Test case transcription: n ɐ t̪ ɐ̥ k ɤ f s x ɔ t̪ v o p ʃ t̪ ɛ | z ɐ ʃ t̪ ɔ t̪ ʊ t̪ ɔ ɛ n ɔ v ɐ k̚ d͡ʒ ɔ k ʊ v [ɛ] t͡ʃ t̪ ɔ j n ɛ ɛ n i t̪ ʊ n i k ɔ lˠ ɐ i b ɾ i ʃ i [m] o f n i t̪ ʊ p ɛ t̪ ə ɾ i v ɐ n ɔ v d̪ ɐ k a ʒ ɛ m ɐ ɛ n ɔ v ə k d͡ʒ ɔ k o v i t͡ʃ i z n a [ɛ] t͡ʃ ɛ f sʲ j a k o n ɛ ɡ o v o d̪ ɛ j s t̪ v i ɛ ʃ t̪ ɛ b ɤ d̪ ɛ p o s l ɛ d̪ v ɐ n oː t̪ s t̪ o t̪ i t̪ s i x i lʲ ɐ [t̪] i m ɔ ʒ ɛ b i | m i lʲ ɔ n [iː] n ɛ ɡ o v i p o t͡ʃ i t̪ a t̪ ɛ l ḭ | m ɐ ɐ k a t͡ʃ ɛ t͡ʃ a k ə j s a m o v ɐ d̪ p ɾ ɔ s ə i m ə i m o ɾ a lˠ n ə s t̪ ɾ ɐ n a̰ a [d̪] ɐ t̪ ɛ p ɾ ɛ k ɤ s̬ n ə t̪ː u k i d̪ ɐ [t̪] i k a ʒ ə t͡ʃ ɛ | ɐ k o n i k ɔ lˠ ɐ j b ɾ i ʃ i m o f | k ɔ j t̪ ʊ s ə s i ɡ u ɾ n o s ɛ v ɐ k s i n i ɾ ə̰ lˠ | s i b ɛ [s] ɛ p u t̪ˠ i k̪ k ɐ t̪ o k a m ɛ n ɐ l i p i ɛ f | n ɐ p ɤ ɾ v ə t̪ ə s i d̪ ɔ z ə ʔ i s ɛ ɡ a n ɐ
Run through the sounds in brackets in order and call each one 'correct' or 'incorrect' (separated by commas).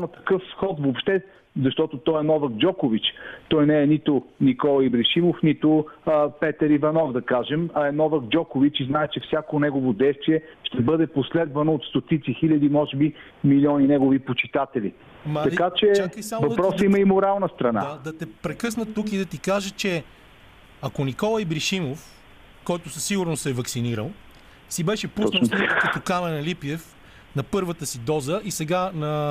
incorrect, correct, correct, incorrect, incorrect, correct, correct, incorrect